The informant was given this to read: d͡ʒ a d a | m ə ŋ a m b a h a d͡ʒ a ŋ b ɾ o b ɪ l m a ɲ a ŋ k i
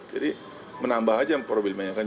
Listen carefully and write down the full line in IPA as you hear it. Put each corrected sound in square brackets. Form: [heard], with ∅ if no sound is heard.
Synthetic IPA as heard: d͡ʒ a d [i] | m ə [n] a m b a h a d͡ʒ a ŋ [p] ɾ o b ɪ l m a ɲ a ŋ k [a]